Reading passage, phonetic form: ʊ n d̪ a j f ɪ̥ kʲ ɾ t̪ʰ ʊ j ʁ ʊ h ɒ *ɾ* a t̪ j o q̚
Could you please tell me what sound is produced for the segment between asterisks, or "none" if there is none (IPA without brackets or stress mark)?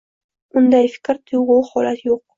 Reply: l